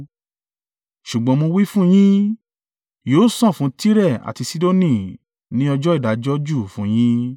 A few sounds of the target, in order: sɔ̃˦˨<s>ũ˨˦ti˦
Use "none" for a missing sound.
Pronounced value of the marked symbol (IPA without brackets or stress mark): f